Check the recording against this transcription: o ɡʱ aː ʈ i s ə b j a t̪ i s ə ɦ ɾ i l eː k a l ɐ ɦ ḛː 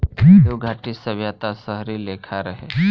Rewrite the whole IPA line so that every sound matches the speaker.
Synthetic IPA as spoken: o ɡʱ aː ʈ i s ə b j a t̪ a s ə ɦ ɾ i l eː kʰ a ɾ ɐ ɦ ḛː